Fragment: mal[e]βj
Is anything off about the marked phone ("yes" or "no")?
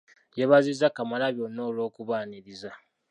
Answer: yes